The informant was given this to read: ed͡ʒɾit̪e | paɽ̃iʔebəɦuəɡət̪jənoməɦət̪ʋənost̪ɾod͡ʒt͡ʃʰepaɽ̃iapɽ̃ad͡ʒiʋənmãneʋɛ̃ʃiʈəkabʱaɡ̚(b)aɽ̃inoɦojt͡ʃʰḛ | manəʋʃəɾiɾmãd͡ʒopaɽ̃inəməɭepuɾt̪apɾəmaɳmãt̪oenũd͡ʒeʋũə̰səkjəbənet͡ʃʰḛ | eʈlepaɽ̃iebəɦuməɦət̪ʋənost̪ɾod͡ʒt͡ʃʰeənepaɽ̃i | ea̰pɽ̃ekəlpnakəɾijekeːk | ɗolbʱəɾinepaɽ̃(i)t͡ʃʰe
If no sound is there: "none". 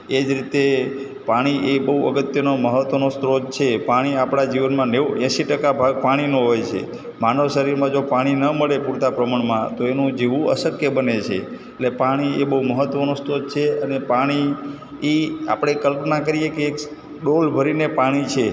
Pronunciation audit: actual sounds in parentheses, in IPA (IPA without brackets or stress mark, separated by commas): p, i